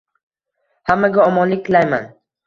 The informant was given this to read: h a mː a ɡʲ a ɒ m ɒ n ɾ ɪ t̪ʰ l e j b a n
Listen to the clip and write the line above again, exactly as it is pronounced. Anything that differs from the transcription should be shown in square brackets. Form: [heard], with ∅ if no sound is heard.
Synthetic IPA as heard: h a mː a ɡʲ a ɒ m ɒ n [l] ɪ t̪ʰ l [a] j [m] a n